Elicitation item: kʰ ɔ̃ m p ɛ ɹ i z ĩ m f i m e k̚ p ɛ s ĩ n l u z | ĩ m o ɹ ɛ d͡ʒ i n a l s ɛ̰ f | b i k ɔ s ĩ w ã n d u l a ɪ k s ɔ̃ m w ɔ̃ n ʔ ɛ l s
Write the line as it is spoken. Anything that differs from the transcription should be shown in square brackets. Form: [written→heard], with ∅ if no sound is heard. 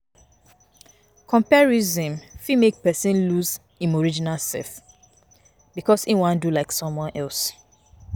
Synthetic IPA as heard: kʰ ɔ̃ m p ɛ ɹ i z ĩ m f i m e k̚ p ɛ s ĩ n l u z | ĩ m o ɹ [ɛ→i] d͡ʒ i n a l s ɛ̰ f | b i k ɔ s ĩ w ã n d u l a ɪ k s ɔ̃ m w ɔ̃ n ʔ ɛ l s